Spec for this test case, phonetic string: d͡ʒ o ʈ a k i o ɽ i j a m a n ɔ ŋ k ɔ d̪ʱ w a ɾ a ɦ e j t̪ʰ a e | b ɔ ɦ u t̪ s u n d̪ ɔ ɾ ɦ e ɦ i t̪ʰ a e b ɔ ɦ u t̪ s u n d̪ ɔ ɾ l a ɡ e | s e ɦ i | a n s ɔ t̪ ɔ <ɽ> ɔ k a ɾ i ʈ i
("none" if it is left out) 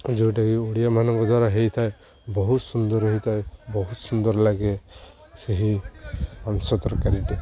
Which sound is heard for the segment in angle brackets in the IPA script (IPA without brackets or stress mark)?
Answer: ɾ